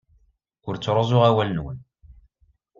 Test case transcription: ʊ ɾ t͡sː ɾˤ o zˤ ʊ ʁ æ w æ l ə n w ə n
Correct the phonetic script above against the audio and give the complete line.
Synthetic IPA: ʊ ɾ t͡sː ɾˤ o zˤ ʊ ʁ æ w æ l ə n w ə n